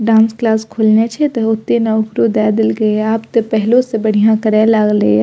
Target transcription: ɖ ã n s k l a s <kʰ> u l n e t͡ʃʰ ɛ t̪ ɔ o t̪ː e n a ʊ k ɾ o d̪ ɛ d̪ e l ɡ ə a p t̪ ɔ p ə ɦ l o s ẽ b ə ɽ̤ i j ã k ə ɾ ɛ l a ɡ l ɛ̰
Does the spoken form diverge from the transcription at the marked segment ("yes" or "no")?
no